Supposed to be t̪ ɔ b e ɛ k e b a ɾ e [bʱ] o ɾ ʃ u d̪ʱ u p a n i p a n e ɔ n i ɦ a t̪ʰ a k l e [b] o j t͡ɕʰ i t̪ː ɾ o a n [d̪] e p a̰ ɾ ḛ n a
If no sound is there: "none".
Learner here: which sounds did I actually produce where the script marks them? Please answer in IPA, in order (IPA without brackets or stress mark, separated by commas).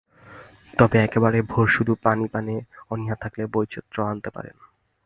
bʱ, b, t̪